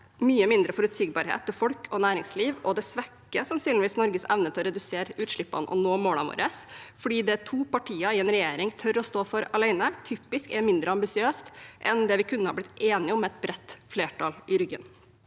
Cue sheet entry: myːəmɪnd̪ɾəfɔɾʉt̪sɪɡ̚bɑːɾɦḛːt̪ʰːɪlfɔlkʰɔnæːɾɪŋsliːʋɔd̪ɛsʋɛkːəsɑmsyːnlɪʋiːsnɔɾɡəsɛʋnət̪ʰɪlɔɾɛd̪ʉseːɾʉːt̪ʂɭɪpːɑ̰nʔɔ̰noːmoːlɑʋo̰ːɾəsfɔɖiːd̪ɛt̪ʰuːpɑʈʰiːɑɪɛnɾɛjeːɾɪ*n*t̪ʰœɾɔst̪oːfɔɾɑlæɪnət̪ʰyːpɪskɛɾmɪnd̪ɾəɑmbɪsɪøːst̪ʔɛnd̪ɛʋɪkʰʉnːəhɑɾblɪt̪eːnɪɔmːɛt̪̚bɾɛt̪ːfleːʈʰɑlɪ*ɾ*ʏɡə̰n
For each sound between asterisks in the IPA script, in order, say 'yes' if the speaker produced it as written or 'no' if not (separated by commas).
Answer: no, yes